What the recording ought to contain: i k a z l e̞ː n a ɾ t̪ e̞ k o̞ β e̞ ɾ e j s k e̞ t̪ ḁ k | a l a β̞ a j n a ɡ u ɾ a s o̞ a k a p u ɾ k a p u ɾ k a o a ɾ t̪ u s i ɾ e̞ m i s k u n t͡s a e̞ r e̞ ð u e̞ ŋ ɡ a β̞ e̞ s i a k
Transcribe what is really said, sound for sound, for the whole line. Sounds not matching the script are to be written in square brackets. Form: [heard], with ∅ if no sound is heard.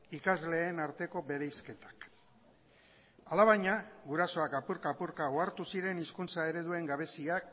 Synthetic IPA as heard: i k a z l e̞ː n a ɾ t̪ e̞ k o̞ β e̞ ɾ e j s k e̞ t̪ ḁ k | a l a β̞ a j [ɲ] a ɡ u ɾ a s o̞ a k a p u ɾ k a p u ɾ k a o a ɾ t̪ u s i ɾ e̞ [n] i s k u n t͡s a e̞ [ɾ] e̞ ð u e̞ ŋ ɡ a β̞ e̞ s i a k